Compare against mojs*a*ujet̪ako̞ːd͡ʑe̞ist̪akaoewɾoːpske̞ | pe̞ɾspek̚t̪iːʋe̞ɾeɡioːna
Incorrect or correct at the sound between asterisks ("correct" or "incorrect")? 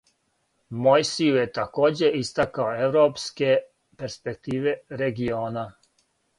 incorrect